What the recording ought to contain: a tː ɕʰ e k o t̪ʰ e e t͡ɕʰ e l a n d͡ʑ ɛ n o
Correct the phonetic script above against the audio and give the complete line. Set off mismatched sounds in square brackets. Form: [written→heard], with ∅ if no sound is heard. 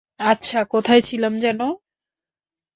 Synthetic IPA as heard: a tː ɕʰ [e→a] k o t̪ʰ [e→a] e t͡ɕʰ [e→i] l a [n→m] d͡ʑ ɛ n o